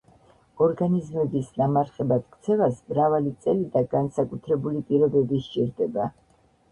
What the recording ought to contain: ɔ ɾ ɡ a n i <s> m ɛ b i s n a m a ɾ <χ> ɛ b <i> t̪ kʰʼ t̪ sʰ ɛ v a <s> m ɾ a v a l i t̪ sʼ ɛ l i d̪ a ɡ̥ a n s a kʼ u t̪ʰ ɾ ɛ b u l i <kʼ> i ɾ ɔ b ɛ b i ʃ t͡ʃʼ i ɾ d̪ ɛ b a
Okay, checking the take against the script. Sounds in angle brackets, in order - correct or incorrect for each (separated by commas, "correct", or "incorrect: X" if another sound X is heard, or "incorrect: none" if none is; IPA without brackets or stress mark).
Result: incorrect: z, correct, incorrect: a, correct, incorrect: pʼ